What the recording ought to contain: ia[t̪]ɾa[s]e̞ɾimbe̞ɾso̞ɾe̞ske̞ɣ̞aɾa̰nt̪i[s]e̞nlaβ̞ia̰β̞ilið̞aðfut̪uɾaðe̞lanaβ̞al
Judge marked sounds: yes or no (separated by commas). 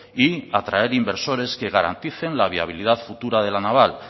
yes, no, no